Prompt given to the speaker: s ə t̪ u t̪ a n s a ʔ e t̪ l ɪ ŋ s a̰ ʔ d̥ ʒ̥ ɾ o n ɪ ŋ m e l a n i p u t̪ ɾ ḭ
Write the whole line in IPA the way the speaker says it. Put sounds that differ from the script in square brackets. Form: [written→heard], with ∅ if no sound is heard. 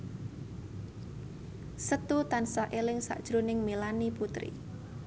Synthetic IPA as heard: s ə t̪ u t̪ a n s a ʔ e [t̪→∅] l ɪ ŋ s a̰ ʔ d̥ ʒ̥ ɾ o n ɪ ŋ m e l a n i p u t̪ ɾ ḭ